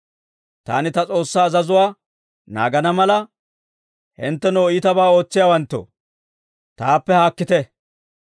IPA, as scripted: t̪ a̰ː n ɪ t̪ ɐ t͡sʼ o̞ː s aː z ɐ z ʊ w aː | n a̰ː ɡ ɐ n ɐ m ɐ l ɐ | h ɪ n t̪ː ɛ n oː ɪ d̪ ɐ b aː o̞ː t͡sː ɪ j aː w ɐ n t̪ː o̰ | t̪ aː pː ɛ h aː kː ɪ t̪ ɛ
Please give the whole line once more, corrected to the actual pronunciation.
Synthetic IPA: t̪ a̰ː n ɪ t̪ ɐ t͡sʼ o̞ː sː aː z ɐ z ʊ w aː | n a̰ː ɡ ɐ n ɐ m ɐ l ɐ | h ɪ n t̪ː ɛ n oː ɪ t̪ ɐ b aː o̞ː t͡sː ɪ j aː w ɐ n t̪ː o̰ | t̪ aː pː ɛ h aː kː ɪ t̪ ɛ